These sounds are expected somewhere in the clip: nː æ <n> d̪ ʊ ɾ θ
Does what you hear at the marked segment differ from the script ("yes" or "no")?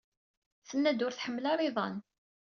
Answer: yes